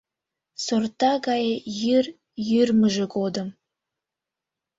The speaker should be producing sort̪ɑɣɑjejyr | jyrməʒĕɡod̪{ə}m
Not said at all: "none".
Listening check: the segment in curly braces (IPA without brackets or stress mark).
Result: ə